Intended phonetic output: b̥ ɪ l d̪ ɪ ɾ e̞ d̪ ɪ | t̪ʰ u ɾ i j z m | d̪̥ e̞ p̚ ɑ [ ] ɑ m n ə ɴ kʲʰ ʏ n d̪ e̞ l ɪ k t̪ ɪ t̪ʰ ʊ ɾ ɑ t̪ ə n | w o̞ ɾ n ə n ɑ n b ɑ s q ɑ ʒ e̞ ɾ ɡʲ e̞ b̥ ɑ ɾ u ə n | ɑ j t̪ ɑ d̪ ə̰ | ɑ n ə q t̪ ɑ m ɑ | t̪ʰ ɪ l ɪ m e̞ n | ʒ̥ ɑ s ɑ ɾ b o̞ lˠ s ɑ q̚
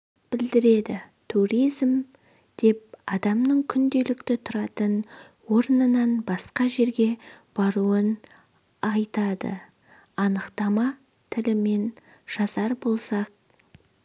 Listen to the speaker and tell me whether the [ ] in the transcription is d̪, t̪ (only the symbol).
d̪